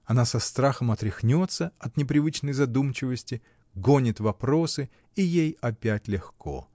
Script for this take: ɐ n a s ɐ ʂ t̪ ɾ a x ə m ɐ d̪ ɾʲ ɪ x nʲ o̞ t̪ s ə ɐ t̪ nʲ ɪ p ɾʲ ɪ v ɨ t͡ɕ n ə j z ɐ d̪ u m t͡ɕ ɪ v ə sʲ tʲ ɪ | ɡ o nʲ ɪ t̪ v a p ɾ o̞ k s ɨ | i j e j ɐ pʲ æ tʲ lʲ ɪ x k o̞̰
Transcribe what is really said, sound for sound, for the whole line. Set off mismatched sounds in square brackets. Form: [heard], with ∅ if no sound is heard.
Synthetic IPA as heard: ɐ n a s ɐ [s] t̪ ɾ a x ə m ɐ [t̪] ɾʲ ɪ x nʲ o̞ t̪ s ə ɐ t̪ nʲ ɪ p ɾʲ ɪ v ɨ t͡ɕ n ə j z ɐ d̪ u m t͡ɕ ɪ v ə sʲ tʲ ɪ | ɡ o nʲ ɪ t̪ v [ɐ] p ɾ o̞ [∅] s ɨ | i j e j ɐ pʲ æ tʲ lʲ ɪ x k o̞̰